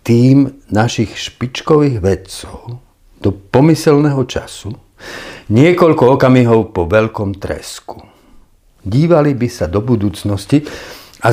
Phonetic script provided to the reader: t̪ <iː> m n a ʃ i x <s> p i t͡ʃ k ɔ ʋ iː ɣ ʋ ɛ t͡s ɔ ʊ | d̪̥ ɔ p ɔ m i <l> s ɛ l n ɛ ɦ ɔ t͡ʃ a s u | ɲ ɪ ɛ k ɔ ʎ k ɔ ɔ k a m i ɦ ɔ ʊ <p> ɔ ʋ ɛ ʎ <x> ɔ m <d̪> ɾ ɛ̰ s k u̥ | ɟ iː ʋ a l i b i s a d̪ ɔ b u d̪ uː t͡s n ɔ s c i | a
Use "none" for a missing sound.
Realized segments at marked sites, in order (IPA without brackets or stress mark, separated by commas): iː, ʃ, none, p, k, t̪